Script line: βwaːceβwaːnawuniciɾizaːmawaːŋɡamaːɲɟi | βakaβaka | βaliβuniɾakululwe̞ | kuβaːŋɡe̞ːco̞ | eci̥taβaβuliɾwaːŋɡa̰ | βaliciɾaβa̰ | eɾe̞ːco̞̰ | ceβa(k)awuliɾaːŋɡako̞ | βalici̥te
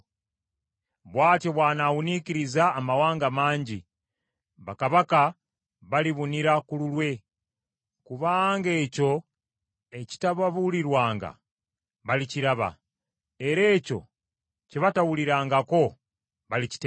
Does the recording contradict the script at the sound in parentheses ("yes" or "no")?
yes